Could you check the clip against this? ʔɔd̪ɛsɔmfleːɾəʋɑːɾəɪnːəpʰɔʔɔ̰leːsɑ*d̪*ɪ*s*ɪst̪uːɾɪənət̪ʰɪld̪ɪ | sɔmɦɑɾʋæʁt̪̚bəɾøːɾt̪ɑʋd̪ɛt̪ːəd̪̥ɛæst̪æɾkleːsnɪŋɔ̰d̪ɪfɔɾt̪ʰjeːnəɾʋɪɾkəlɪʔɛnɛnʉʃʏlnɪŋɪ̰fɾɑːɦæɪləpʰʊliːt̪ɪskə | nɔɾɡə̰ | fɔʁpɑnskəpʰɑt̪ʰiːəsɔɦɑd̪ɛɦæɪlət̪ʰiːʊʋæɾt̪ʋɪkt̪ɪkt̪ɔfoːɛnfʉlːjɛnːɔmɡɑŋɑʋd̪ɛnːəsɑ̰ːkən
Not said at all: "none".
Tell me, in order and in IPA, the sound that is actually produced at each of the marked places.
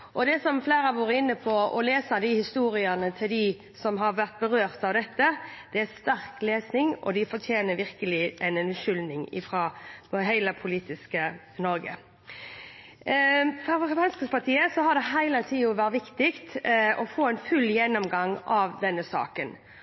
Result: d̪, h

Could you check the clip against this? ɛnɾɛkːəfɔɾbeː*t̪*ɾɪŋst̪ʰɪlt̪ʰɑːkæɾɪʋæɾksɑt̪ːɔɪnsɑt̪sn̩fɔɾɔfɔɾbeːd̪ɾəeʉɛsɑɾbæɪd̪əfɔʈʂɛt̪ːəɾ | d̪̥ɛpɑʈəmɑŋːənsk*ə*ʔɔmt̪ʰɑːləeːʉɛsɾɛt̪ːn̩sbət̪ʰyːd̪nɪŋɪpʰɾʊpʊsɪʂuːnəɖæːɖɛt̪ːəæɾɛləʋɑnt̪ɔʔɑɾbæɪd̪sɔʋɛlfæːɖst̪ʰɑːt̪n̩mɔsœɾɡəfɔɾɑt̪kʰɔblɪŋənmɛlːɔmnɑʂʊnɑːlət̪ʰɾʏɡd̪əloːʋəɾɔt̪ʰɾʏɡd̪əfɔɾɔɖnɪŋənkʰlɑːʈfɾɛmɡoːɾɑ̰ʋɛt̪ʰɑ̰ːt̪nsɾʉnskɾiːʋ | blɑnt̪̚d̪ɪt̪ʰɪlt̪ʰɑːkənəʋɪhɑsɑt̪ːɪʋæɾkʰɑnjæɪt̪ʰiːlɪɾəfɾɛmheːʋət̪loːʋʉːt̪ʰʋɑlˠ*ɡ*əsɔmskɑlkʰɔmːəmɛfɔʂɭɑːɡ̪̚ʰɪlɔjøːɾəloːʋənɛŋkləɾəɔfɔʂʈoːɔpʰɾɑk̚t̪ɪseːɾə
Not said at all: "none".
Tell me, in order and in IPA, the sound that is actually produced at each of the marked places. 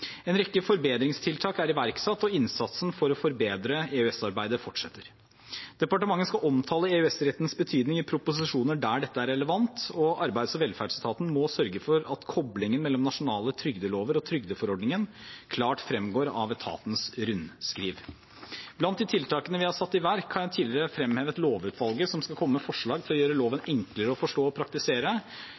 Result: d̪, ɑ, ɡ

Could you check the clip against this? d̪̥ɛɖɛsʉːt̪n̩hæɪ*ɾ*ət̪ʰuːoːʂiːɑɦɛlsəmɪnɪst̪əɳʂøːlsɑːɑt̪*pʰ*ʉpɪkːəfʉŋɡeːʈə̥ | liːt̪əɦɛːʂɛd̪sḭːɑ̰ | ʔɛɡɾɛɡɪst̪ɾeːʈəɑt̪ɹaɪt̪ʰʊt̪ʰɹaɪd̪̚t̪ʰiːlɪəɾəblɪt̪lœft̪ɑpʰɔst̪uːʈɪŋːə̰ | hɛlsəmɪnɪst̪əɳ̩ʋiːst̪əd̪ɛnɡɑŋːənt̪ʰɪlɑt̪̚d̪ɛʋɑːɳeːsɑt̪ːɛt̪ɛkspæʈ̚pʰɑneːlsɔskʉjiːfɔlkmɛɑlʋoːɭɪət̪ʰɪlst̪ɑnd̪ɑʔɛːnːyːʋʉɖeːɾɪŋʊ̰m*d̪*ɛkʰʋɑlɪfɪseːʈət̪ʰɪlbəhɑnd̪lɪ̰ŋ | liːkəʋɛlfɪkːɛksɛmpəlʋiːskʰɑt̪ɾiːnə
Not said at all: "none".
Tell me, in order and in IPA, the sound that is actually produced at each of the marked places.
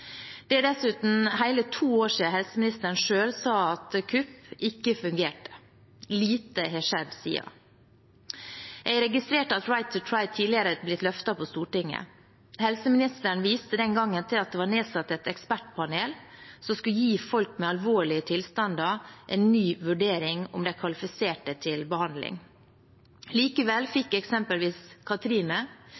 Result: l, kʰ, d̪

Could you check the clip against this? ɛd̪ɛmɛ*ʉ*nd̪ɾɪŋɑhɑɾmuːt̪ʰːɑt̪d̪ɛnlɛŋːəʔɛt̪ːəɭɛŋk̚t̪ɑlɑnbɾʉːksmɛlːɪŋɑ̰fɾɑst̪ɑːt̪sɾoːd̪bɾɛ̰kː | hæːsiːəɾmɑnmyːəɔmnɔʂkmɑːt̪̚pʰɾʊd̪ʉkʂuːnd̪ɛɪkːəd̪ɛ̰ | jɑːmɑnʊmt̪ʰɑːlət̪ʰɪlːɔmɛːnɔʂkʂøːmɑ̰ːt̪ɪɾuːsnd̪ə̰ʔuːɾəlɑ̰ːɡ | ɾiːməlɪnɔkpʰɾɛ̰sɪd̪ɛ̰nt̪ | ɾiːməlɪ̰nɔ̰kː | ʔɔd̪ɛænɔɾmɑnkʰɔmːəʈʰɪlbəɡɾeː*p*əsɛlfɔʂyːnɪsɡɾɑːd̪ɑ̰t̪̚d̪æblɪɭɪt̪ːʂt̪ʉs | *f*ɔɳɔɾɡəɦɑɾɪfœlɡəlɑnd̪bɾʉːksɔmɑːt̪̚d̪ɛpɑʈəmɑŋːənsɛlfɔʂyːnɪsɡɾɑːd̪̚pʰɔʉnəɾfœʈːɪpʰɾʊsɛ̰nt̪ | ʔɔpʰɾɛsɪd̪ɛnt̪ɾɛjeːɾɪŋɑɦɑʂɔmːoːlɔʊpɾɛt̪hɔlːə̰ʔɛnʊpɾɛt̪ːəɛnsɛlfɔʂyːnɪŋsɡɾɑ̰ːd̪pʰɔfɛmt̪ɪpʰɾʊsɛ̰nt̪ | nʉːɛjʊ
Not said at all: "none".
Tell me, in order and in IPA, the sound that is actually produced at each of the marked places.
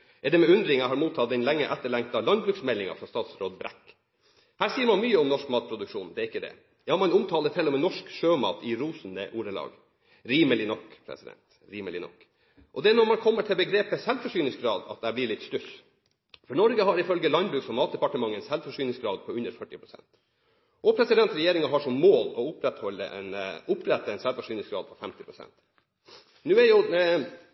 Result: ʉ, p, f

